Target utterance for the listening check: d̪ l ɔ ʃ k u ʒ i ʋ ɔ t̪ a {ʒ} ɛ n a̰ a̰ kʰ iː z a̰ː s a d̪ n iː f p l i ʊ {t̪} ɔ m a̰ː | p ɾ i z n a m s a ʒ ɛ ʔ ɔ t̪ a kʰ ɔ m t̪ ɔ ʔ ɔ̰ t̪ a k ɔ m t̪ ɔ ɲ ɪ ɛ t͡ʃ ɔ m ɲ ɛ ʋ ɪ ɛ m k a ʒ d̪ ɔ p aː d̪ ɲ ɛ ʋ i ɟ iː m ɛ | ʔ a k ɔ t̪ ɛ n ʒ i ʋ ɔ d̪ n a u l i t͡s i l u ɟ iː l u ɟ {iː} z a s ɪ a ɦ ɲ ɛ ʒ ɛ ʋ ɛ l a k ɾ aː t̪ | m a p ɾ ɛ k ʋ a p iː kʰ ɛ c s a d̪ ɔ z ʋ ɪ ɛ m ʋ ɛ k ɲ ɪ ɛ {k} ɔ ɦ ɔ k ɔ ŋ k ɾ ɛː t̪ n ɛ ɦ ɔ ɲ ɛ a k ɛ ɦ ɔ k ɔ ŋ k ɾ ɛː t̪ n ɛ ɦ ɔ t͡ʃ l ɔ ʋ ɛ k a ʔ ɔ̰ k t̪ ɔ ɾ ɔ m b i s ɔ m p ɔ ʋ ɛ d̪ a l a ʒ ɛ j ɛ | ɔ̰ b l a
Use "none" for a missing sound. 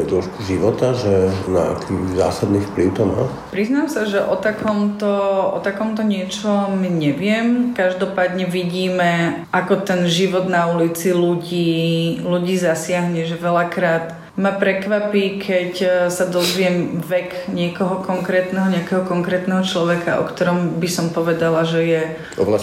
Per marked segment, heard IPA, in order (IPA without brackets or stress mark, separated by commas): ʒ, t̪, iː, k